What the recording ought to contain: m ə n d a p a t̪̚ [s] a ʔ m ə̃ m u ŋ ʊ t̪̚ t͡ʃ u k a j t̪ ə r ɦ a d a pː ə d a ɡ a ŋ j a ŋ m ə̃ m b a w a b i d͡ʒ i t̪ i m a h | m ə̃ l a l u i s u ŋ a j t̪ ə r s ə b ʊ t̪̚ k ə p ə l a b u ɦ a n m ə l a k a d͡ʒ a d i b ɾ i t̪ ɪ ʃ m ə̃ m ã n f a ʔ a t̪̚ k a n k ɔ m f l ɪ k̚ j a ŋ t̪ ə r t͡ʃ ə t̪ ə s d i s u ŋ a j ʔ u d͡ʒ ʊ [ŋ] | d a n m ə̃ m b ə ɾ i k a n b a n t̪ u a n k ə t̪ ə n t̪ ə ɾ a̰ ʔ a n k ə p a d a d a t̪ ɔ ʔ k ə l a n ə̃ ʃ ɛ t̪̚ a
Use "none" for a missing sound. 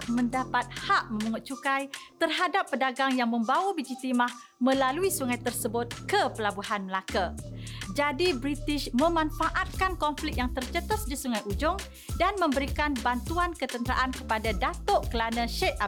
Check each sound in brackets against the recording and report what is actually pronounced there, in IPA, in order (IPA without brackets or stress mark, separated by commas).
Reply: h, ŋ